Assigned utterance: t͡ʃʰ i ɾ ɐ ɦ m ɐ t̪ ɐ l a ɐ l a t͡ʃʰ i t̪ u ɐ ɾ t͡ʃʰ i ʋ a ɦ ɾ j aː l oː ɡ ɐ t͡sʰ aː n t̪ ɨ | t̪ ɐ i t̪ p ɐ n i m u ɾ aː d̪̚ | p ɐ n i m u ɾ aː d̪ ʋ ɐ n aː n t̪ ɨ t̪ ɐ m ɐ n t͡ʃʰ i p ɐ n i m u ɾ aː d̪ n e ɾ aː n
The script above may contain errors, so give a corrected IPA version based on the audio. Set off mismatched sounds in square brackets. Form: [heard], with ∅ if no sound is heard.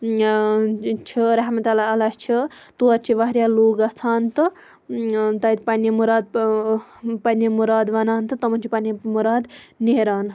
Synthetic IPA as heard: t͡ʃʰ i ɾ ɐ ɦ m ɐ t̪ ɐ l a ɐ l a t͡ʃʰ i t̪ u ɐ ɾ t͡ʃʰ i ʋ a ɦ ɾ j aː l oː ɡ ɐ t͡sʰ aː n t̪ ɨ | t̪ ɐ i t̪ p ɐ n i m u ɾ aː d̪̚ | p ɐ n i m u ɾ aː d̪ ʋ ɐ n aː n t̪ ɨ t̪ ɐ m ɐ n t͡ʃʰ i p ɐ n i m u ɾ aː d̪ n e ɾ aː n